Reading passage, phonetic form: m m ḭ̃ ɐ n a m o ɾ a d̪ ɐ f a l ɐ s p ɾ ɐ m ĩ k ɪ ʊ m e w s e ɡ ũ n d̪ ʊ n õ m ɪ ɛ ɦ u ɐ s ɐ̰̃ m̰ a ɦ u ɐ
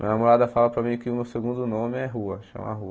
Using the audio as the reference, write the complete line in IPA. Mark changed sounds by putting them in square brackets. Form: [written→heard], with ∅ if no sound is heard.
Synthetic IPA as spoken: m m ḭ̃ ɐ n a m o ɾ a d̪ ɐ f a l ɐ [s→∅] p ɾ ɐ m ĩ k ɪ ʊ m e w s e ɡ ũ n d̪ ʊ n õ m ɪ ɛ ɦ u ɐ [s→ʃ] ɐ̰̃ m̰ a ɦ u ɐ